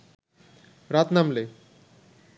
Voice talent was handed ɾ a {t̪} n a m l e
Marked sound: correct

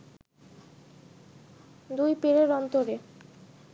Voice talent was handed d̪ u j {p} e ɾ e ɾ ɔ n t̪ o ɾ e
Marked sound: correct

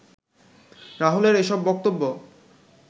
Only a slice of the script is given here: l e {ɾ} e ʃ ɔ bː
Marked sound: correct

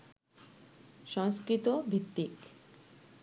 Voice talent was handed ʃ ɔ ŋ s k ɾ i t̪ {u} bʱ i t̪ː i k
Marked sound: incorrect: o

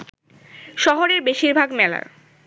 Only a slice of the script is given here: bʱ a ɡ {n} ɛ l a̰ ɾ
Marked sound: incorrect: m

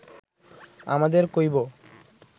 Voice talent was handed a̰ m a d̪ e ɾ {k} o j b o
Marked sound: correct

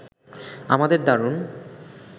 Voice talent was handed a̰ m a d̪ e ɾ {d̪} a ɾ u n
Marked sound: correct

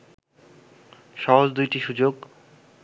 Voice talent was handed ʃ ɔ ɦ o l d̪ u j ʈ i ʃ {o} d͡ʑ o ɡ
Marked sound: incorrect: u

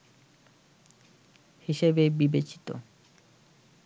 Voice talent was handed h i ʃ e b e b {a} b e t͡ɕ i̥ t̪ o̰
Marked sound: incorrect: i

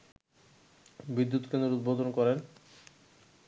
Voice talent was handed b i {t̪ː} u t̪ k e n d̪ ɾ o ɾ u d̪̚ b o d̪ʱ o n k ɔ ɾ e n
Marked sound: incorrect: d̪ː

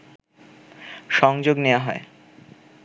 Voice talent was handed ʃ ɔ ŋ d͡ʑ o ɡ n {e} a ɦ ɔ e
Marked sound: correct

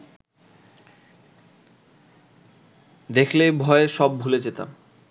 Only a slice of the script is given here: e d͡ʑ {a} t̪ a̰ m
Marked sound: incorrect: e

